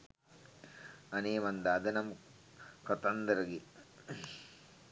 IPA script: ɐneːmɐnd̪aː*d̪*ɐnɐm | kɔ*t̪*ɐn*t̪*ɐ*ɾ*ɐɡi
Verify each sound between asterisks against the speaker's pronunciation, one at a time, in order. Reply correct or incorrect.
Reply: correct, correct, incorrect, correct

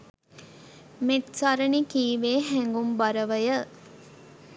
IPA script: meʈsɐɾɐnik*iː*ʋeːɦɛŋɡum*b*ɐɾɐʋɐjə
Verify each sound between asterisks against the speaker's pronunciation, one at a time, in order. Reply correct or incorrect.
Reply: correct, correct

